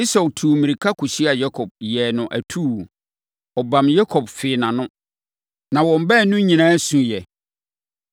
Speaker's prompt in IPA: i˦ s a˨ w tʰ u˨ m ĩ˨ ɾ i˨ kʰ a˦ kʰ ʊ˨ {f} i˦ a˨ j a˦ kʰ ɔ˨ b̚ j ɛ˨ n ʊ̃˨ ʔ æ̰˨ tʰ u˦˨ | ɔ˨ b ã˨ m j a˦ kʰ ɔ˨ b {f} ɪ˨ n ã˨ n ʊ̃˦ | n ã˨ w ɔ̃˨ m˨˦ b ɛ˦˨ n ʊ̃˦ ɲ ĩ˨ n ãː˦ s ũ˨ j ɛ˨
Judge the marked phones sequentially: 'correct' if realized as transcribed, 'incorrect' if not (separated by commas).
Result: incorrect, correct